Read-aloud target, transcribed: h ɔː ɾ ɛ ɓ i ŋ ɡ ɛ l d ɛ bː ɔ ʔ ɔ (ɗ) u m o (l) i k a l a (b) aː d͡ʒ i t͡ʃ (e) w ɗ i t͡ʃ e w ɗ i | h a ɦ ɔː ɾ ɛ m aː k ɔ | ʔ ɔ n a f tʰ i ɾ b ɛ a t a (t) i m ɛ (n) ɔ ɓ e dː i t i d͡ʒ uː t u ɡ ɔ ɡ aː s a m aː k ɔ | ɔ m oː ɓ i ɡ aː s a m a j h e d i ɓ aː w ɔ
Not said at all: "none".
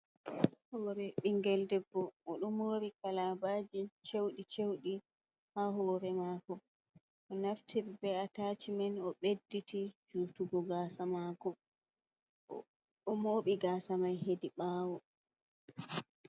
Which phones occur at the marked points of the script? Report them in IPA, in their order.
ɗ, ɾ, b, e, t͡ʃ, n

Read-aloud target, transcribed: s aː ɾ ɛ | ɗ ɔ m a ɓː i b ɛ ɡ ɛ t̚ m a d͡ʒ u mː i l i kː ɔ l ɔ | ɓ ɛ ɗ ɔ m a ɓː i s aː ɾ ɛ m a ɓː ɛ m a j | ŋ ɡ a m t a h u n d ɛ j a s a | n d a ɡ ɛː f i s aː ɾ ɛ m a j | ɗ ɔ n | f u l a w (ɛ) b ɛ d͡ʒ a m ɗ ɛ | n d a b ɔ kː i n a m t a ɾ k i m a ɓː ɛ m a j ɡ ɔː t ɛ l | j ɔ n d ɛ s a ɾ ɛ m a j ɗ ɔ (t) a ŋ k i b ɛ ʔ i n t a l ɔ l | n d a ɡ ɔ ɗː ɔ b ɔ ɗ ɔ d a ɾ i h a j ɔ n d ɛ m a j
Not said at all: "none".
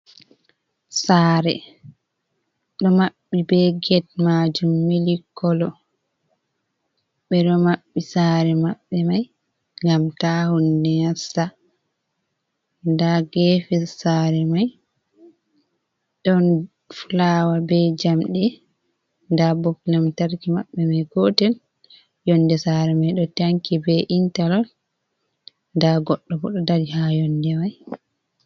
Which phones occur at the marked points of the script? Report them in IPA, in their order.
a, t

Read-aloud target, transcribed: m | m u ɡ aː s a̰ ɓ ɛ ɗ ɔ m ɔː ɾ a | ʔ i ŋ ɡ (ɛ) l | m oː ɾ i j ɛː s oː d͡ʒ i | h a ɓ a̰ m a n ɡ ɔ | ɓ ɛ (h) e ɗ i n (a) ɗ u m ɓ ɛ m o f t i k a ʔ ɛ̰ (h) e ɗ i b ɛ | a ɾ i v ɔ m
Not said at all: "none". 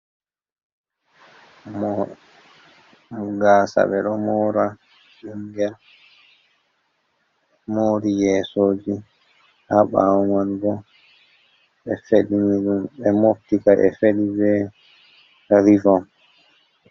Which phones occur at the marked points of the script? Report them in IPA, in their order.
ɛ, f, i, f

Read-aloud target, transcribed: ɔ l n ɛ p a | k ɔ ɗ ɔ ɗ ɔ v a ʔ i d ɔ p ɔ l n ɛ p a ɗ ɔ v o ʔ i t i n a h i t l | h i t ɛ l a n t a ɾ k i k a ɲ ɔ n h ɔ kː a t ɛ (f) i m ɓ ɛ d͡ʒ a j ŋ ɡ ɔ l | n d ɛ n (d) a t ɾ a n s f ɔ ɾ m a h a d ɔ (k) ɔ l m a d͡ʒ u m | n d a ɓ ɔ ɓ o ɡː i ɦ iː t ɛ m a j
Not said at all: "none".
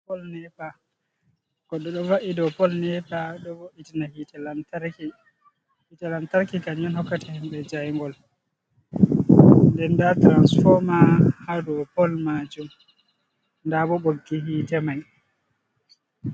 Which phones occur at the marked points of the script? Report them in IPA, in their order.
h, d, p

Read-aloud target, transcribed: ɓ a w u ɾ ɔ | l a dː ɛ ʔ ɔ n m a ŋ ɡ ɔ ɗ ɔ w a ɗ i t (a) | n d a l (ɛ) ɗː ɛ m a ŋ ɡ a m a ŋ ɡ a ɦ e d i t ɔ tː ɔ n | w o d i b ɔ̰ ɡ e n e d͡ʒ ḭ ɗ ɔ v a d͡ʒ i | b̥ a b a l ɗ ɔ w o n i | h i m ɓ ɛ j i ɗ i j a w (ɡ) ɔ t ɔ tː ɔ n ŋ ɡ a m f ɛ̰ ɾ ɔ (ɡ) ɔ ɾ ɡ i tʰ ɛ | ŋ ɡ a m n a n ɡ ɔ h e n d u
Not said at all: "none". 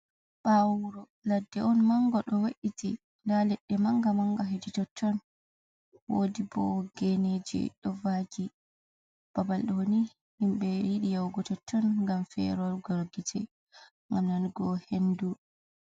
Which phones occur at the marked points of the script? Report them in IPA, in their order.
i, ɛ, ɡ, ɡ

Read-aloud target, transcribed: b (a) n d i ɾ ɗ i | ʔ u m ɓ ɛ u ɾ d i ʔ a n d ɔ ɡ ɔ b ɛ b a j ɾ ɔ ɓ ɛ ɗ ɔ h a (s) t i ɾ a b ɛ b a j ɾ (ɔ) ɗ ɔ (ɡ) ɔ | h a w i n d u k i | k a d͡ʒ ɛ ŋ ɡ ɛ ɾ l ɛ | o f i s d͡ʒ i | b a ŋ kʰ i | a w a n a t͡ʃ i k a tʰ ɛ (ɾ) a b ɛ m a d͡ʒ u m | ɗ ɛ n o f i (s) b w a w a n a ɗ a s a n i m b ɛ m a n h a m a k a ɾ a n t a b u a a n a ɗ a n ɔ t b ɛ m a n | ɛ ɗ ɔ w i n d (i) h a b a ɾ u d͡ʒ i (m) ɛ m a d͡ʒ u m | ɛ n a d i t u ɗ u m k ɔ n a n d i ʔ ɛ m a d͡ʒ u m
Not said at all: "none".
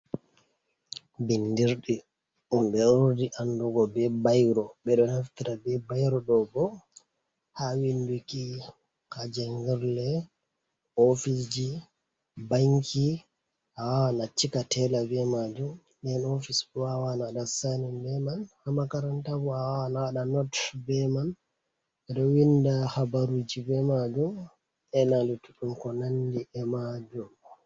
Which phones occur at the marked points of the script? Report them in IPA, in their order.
i, f, ɔ, b, l, s, a, b

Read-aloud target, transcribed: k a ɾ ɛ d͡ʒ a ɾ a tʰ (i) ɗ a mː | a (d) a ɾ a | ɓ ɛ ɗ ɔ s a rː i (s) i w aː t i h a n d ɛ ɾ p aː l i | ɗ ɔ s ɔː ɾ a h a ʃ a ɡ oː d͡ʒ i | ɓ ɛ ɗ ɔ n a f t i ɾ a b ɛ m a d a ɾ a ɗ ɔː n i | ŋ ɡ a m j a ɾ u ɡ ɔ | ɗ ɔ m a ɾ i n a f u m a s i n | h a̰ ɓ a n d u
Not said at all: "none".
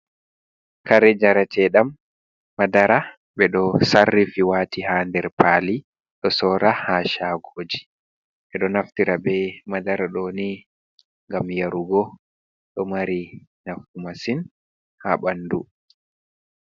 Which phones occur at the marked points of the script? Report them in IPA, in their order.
ɛ, d, f

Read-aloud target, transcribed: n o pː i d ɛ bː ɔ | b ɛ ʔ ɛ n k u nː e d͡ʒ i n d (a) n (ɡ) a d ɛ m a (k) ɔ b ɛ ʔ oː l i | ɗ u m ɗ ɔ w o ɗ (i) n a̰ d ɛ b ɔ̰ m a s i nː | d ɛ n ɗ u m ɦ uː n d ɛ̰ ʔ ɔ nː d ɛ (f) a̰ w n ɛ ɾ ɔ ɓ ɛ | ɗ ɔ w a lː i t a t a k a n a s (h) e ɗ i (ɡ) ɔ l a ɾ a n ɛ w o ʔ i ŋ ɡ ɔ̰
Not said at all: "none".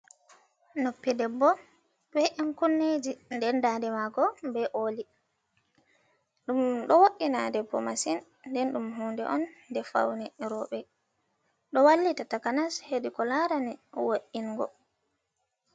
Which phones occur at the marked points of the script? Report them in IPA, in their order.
ɛ, d, ɡ, i, f, h, k

